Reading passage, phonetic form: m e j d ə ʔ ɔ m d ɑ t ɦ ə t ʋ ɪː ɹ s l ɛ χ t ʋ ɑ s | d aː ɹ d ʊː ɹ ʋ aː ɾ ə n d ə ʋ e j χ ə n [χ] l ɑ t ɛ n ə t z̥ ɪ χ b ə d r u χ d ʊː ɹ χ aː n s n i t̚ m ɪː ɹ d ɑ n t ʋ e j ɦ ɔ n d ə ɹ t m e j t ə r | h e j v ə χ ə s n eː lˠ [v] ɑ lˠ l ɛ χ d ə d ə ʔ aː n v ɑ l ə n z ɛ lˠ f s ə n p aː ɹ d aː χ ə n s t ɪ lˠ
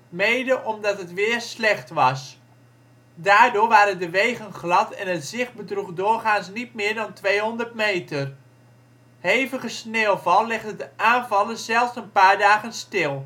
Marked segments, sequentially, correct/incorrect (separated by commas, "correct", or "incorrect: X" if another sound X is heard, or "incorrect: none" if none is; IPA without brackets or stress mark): correct, correct